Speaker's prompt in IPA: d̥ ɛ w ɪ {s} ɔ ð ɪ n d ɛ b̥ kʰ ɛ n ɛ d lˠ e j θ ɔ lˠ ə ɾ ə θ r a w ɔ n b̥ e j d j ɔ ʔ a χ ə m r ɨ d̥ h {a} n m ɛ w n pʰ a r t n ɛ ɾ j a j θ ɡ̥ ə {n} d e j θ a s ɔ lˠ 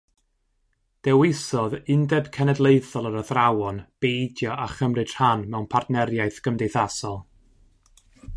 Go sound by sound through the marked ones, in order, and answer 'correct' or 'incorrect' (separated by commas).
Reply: correct, correct, incorrect